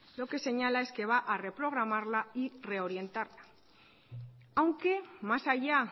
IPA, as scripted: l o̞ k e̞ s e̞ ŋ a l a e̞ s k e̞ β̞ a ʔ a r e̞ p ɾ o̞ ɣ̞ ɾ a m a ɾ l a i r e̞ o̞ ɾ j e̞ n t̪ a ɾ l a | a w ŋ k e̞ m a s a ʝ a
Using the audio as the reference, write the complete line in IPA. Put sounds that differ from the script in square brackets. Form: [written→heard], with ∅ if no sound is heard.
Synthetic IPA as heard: l o̞ k e̞ s e̞ [ŋ→ɲ] a l a e̞ s k e̞ β̞ a ʔ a r e̞ p ɾ o̞ ɣ̞ ɾ a m a ɾ l a i r e̞ o̞ ɾ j e̞ n t̪ a ɾ l a | a w ŋ k e̞ m a s a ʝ a